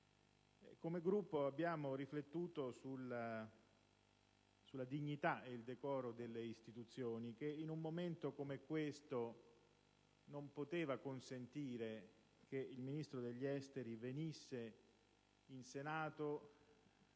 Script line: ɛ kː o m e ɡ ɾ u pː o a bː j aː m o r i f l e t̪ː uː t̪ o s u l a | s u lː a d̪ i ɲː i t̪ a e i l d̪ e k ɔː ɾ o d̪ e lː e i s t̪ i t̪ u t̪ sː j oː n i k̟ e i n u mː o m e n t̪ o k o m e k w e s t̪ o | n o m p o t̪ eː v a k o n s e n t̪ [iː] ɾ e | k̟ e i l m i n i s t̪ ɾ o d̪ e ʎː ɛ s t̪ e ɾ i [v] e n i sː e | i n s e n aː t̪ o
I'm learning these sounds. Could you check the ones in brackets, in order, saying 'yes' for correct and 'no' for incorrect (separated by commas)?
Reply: yes, yes